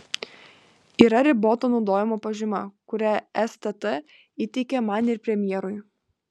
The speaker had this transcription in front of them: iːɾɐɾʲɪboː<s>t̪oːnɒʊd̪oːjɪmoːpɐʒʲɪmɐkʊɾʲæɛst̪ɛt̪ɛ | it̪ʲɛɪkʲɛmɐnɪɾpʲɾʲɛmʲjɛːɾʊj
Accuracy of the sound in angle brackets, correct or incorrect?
incorrect